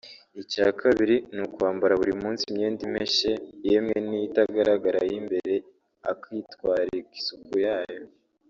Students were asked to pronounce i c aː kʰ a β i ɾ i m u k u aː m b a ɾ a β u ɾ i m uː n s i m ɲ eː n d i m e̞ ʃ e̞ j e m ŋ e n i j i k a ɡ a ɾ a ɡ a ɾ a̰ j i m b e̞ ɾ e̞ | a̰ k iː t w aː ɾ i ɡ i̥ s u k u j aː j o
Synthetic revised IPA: i c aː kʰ a β i ɾ i n u k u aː m b a ɾ a β u ɾ i m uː n s i m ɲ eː n d i m e̞ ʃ e̞ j e m ŋ e n i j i t a ɡ a ɾ a ɡ a ɾ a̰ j i m b e̞ ɾ e̞ | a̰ k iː t w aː ɾ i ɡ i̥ s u k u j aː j o

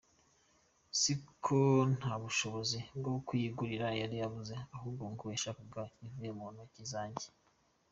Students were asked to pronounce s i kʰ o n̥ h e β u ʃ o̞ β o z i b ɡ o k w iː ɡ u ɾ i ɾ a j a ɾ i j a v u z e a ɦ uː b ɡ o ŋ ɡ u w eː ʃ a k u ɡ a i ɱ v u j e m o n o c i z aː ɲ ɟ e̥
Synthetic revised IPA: s i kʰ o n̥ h a β u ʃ o̞ β o z i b ɡ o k w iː ɡ u ɾ i ɾ a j a ɾ i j a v u z e a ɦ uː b ɡ o ŋ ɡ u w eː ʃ a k u ɡ a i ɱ v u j e m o n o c i z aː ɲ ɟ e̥

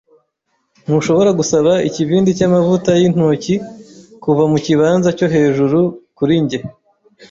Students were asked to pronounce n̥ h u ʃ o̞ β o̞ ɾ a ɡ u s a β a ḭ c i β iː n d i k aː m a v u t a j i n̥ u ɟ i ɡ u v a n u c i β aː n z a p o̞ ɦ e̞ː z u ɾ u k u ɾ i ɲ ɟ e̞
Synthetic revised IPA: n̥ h u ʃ o̞ β o̞ ɾ a ɡ u s a β a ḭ c i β iː n d i c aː m a v u t a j i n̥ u c i k u v a m u c i β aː n z a c o̞ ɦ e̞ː ʒ u ɾ u k u ɾ i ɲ ɟ e̞

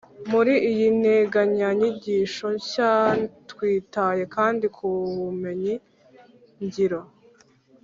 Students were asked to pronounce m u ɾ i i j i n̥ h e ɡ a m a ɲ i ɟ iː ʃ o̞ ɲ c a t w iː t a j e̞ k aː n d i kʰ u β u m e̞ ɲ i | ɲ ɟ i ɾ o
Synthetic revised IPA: m u ɾ i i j i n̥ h e ɡ a ɲ a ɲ i ɟ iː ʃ o̞ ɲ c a t w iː t a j e̞ k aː n d i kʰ u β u m e̞ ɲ i | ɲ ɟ i ɾ o

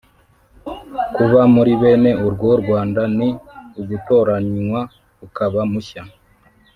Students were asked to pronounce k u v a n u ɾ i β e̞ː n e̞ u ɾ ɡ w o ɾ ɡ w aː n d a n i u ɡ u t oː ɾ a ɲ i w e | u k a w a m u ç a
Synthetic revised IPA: k u β a m u ɾ i β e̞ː n e̞ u ɾ ɡ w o ɾ ɡ w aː n d a n i u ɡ u t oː ɾ a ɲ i w a | u k a β a m u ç a

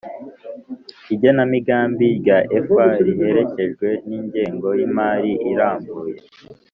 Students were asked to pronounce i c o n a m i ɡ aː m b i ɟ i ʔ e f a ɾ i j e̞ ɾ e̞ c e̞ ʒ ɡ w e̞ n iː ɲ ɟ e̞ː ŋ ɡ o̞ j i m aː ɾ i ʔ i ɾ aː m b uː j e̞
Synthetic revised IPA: i ɟ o n a m i ɡ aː m b i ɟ a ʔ e f a ɾ i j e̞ ɾ e̞ c e̞ ʒ ɡ w e̞ n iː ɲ ɟ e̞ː ŋ ɡ o̞ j i m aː ɾ i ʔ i ɾ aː m b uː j e̞

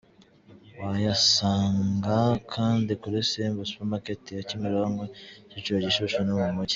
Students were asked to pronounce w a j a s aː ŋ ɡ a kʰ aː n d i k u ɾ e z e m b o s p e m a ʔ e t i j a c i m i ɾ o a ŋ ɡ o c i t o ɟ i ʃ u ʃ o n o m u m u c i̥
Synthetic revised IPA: w a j a s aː ŋ ɡ a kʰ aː n d i k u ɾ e s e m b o s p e m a k e t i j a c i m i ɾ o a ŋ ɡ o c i t͡ʃ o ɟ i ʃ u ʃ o n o m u m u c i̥

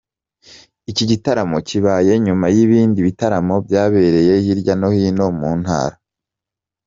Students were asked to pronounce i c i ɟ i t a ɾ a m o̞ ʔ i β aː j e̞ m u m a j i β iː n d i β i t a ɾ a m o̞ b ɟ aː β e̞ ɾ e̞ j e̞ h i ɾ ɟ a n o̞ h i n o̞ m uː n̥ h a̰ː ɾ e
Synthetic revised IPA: i c i ɟ i t a ɾ a m o̞ c i β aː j e̞ ɲ u m a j i β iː n d i β i t a ɾ a m o̞ b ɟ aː β e̞ ɾ e̞ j e̞ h i ɾ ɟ a n o̞ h i n o̞ m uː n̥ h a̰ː ɾ a

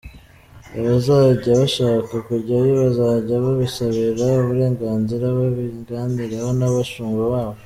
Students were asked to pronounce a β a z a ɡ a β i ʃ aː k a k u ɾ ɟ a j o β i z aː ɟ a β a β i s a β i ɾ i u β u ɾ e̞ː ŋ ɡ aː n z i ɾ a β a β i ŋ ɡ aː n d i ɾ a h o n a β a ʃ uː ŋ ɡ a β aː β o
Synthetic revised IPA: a β a z a ɟ a β a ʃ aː k a k u ɾ ɟ a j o β a z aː ɟ a β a β i s a β i ɾ a u β u ɾ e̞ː ŋ ɡ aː n z i ɾ a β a β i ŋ ɡ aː n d i ɾ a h o n a β a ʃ uː ŋ ɡ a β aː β o

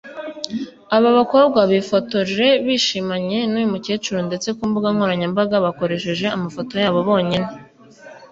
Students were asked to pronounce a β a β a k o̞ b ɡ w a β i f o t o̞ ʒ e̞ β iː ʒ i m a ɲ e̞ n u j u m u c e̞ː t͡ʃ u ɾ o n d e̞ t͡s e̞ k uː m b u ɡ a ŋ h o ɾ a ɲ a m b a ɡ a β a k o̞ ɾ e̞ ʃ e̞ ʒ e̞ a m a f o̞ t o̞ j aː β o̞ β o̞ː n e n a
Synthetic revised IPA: a β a β a k o̞ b ɡ w a β i f o t o̞ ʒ e̞ β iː ʃ i m a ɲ e̞ n u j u m u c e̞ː t͡ʃ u ɾ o n d e̞ t͡s e̞ k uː m b u ɡ a ŋ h o ɾ a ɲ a m b a ɡ a β a k o̞ ɾ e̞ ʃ e̞ ʒ e̞ a m a f o̞ t o̞ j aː β o̞ β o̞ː ɲ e n e

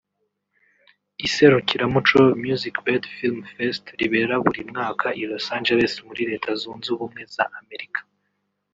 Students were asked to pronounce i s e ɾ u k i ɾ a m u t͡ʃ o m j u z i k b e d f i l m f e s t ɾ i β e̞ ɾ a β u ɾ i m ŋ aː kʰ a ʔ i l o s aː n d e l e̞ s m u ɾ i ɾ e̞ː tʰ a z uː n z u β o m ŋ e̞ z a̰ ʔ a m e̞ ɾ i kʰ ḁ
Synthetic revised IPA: i s e ɾ u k i ɾ a m u t͡ʃ o m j u z i k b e d f i l m f e s t ɾ i β e̞ ɾ a β u ɾ i m ŋ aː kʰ a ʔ i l o s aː n d͡ʒ e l e̞ s m u ɾ i ɾ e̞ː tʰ a z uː n z u β u m ŋ e̞ z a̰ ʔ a m e̞ ɾ i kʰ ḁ

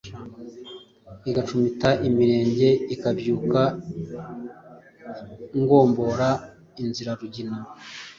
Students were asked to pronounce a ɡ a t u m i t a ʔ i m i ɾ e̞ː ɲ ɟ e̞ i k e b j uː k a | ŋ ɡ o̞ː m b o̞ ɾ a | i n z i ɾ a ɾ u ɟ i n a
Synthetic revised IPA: i ɡ a t͡ʃ u m i t a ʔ i m i ɾ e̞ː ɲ ɟ e̞ i k a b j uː k a | ŋ ɡ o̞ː m b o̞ ɾ a | i n z i ɾ a ɾ u ɟ i n a

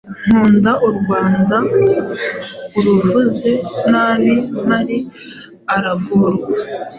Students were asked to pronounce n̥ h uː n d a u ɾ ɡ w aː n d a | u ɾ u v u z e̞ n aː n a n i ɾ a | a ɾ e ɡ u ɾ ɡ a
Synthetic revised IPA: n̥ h uː n d a u ɾ ɡ w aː n d a | u ɾ u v u z e̞ n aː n i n a ɾ i | a ɾ a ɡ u ɾ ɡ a

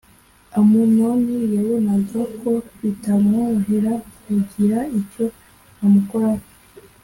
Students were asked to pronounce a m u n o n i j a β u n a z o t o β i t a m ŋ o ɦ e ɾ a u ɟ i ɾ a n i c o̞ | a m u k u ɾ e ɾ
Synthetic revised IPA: a m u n o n i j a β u n a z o k o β i t a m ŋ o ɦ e ɾ a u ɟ i ɾ a i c o̞ | a m u k o ɾ a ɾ

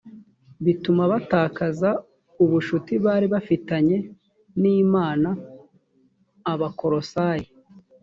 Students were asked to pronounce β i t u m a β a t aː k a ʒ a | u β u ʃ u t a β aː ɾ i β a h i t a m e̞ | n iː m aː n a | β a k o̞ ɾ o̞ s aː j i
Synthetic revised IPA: β i t u m a β a t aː k a z a | u β u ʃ u t i β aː ɾ i β a f i t a ɲ e̞ | n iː m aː n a | β a k o̞ ɾ o̞ s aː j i

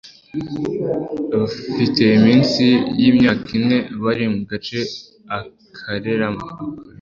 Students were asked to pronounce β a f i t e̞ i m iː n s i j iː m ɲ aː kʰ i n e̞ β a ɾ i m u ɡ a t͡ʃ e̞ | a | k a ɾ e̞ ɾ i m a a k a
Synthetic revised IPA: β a f i t e̞ i m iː n s i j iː m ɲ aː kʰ i n e̞ β a ɾ i m u ɡ a t͡ʃ e̞ | a | kʰ a ɾ e̞ ɾ a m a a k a

